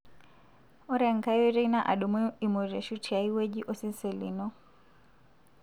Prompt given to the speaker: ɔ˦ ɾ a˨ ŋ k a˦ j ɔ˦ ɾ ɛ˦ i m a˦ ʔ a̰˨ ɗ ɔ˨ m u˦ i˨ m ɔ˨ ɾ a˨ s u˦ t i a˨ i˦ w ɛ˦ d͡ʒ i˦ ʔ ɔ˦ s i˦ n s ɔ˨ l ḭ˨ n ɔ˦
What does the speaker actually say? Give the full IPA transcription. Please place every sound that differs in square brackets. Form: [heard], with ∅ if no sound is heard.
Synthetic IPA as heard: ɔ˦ ɾ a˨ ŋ k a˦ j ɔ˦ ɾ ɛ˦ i [n] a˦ ʔ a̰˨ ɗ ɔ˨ m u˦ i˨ m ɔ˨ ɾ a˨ [ʃ] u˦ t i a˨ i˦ w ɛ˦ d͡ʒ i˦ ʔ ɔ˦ s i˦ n s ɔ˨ l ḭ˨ n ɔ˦

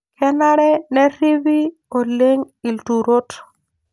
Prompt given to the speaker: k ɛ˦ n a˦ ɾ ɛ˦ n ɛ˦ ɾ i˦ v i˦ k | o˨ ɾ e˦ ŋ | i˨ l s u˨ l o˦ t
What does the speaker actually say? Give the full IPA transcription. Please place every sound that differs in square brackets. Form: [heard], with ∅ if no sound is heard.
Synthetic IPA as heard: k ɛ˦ n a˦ ɾ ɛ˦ n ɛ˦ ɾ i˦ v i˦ [∅] | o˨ [l] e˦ ŋ | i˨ l [t] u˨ [ɾ] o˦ t

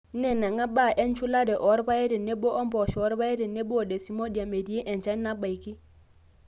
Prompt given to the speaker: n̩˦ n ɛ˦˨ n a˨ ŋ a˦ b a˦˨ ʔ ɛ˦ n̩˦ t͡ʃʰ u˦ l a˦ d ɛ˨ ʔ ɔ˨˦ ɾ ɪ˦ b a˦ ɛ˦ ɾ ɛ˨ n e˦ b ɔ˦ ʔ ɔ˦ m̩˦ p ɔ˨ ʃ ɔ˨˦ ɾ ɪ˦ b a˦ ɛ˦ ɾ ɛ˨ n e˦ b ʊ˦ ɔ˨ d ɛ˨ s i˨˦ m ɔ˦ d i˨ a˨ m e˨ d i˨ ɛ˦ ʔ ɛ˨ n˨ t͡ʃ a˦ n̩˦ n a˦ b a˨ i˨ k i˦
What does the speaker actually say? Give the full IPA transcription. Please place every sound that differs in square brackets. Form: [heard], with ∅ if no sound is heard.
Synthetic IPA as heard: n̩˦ n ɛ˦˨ n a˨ ŋ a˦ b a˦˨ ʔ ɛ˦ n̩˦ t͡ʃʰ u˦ l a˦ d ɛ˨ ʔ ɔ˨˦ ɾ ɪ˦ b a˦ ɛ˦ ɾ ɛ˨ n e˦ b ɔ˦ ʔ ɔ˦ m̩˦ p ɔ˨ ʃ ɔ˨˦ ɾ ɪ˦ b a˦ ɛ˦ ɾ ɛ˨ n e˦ b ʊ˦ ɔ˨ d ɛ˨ s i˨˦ m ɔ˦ d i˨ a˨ m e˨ d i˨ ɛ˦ ʔ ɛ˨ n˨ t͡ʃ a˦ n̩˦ n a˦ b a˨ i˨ k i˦

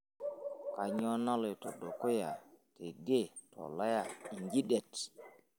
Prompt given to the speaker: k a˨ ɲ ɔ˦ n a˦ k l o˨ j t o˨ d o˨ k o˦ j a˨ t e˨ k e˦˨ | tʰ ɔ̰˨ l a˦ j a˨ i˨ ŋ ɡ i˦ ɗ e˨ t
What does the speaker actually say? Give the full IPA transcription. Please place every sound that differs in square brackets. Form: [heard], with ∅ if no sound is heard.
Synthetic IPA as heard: k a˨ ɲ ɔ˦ n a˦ [∅] l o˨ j t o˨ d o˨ k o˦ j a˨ t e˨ [ɡ] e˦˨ | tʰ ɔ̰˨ l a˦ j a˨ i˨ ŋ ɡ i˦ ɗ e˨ t

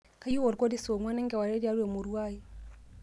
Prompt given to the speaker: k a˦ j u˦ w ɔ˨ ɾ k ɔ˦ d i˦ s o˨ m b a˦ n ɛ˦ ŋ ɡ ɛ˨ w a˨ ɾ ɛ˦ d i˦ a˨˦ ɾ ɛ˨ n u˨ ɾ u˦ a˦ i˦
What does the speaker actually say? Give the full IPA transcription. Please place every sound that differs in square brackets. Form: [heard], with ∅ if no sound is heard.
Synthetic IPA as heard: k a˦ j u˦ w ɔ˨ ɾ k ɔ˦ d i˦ s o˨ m [w] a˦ n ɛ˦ ŋ ɡ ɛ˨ w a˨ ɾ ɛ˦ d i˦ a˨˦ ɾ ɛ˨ [m] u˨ ɾ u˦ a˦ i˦

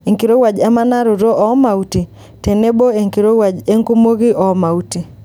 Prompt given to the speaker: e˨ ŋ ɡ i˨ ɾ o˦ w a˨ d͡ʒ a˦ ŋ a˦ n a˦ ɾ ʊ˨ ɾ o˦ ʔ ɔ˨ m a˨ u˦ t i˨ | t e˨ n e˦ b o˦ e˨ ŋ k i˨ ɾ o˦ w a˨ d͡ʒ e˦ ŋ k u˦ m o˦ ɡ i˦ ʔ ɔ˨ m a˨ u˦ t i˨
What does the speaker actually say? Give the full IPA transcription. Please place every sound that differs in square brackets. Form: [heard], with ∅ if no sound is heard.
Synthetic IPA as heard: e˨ ŋ [k] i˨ ɾ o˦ w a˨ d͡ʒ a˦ [m] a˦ n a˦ ɾ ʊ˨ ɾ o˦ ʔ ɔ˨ m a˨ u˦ t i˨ | t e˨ n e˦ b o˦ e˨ ŋ k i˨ ɾ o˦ w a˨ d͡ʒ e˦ ŋ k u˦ m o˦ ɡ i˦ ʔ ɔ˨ m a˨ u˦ t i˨

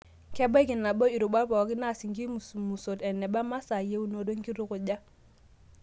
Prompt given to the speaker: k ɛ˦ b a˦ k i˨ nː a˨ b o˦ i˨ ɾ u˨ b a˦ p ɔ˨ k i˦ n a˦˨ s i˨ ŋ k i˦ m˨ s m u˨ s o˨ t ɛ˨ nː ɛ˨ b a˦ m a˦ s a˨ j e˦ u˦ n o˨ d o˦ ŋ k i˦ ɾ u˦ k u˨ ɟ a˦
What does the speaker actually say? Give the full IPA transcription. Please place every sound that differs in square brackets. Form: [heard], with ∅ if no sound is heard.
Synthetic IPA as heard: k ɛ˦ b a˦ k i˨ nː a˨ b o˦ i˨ ɾ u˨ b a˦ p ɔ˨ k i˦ n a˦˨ s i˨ ŋ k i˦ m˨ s m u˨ s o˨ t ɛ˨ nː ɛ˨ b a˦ m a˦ s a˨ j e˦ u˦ n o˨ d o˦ ŋ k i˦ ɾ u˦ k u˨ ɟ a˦

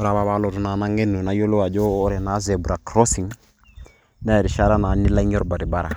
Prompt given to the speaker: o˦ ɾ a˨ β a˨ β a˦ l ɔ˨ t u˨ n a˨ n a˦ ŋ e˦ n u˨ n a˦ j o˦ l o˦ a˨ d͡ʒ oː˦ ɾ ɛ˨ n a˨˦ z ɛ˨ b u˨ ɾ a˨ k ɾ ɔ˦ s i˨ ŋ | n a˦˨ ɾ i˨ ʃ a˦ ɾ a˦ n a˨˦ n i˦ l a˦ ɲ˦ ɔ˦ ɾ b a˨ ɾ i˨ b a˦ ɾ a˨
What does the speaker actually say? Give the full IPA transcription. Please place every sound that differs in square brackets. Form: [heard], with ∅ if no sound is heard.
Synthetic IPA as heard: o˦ ɾ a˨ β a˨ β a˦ l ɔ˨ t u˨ n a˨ n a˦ ŋ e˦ n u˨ n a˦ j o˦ l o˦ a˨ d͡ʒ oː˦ ɾ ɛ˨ n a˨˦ z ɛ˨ b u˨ ɾ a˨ k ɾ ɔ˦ s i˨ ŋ | n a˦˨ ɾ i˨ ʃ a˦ ɾ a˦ n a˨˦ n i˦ l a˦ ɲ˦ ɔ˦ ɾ b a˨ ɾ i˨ b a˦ ɾ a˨

